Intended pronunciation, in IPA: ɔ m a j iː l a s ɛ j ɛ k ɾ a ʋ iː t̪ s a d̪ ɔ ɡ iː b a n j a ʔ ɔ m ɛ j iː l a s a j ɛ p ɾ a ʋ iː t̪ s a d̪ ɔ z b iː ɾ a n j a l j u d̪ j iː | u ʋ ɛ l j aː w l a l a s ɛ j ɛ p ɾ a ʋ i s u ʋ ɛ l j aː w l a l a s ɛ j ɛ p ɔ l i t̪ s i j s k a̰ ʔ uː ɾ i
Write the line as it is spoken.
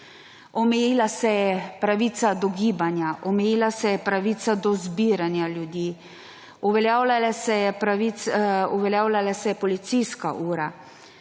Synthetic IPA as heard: ɔ m ɛ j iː l a s ɛ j ɛ p ɾ a ʋ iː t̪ s a d̪ ɔ ɡ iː b a n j a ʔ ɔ m ɛ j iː l a s ɛ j ɛ p ɾ a ʋ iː t̪ s a d̪ ɔ z b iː ɾ a n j a l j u d̪ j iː | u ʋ ɛ l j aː w l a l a s ɛ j ɛ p ɾ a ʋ i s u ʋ ɛ l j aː w l a l a s ɛ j ɛ p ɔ l i t̪ s i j s k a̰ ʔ uː ɾ a

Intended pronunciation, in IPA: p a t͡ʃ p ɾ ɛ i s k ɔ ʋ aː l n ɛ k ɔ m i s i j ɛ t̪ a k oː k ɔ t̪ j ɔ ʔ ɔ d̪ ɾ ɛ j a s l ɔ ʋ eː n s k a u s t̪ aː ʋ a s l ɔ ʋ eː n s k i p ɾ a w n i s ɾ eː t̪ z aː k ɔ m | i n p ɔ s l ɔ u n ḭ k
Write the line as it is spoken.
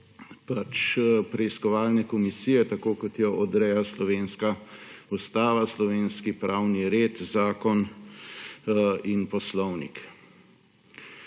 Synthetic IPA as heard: p a t͡ʃ p ɾ ɛ i s k ɔ ʋ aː l n ɛ k ɔ m i s i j ɛ t̪ a k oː k ɔ t̪ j ɔ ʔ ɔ d̪ ɾ ɛ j a s l ɔ ʋ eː n s k a u s t̪ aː ʋ a s l ɔ ʋ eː n s k i p ɾ a w n i ɾ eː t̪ z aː k ɔ n | i n p ɔ s l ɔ w n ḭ k

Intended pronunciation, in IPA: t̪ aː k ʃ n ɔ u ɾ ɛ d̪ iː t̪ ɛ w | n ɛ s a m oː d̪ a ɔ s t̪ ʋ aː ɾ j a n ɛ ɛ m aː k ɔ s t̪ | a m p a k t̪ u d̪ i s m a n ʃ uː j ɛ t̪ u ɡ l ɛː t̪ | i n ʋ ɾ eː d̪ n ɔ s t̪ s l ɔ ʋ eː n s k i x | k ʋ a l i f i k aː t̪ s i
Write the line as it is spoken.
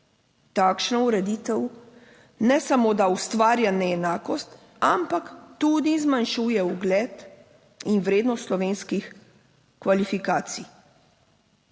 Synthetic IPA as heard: t̪ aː k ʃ n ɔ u ɾ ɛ d̪ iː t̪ ɛ w | n ɛ s a m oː d̪ a u s t̪ ʋ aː ɾ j a n ɛ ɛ n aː k ɔ s t̪ | a m p a k t̪ u d̪ i z m a n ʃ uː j ɛ u ɡ l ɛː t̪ | i n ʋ ɾ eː d̪ n ɔ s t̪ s l ɔ ʋ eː n s k i x | k ʋ a l i f i k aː t̪ s i

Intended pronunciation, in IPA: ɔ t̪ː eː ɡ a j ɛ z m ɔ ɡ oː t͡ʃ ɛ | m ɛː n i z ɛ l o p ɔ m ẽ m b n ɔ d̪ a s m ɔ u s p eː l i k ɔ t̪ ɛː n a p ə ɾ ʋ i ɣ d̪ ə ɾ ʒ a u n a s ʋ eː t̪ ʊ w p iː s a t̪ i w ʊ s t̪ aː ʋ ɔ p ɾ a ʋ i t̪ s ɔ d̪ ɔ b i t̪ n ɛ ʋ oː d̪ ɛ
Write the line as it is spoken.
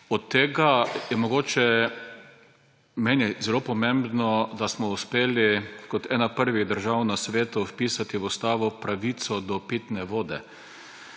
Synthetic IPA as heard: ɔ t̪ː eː ɡ a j ɛ m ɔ ɡ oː t͡ʃ ɛ | m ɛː n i z ɛ l o p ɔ m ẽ m b n ɔ d̪ a s m ɔ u s p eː l i k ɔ t̪ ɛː n a p ə ɾ ʋ i ɣ d̪ ə ɾ ʒ a w n a s ʋ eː t̪ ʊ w p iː s a t̪ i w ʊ s t̪ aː ʋ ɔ p ɾ a ʋ i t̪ s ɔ d̪ ɔ p i t̪ n ɛ ʋ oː d̪ ɛ

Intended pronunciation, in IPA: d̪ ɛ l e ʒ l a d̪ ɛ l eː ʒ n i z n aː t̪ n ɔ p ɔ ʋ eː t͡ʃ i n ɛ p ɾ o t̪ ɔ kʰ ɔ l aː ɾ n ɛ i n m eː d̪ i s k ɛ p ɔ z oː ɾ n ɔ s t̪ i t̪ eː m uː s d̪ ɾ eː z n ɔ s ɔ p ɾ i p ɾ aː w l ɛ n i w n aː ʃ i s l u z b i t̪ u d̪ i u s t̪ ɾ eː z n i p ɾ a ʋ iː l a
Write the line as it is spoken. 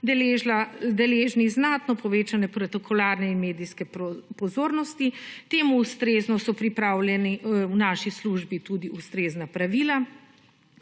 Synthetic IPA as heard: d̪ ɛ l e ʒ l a d̪ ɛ l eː ʒ n i z n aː t̪ n ɔ p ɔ ʋ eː t͡ʃ a n ɛ p ɾ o t̪ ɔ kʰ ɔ l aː ɾ n ɛ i n m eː d̪ i s k ɛ p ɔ z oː ɾ n ɔ s t̪ i t̪ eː m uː s t̪ ɾ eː z n ɔ s ɔ p ɾ i p ɾ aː w l ɛ n i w n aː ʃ i s l u ʒ b i t̪ u d̪ i u s t̪ ɾ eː z n a p ɾ a ʋ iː l a

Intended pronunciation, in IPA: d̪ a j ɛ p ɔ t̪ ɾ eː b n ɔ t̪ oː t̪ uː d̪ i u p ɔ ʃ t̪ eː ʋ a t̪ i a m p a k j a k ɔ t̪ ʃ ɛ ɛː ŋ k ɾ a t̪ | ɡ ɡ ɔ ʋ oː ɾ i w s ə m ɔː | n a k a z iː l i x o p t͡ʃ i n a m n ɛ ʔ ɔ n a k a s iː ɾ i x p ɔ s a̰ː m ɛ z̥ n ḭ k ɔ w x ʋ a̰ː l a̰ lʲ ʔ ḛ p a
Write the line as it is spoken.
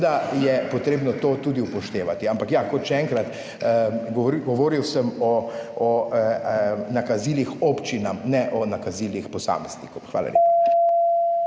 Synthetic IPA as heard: d̪ a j ɛ p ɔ t̪ ɾ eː b n ɔ t̪ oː t̪ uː d̪ i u p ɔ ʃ t̪ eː ʋ a t̪ i a m p a k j a k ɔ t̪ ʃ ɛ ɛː ŋ k ɾ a t̪ | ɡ ɡ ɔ ʋ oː ɾ i w s ə m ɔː | n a k a z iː l i x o p t͡ʃ i n a m n ɛ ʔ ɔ n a k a z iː l i x p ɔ s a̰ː m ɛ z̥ n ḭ k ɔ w x ʋ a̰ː l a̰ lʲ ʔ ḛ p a

